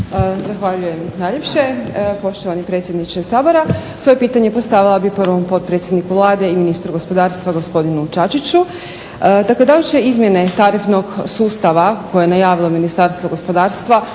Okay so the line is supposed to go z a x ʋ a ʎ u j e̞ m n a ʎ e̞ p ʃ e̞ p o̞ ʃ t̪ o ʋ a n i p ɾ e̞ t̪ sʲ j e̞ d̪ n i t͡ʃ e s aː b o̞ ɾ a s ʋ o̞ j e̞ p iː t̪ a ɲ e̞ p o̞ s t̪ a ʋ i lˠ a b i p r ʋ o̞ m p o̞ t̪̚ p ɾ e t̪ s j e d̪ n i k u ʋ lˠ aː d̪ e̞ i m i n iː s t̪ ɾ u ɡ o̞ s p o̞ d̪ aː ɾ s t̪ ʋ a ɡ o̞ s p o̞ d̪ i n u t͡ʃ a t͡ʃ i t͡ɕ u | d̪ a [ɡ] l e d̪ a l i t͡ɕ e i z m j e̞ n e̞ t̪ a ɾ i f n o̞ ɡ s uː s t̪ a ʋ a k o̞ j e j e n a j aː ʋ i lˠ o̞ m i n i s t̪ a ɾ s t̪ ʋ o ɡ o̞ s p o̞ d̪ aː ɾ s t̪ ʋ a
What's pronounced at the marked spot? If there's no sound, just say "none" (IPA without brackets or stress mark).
k